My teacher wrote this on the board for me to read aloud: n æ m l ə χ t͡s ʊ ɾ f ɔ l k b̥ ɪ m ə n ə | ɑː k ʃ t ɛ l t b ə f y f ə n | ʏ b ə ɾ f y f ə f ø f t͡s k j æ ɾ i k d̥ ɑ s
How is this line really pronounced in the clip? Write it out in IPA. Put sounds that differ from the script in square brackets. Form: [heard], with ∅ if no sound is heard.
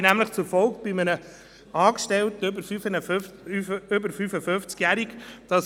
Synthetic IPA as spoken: n æ m l ə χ t͡s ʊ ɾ f ɔ l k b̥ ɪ m ə n ə | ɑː k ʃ t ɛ l t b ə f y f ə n | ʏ b ə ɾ f y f ə f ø f t͡s k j æ ɾ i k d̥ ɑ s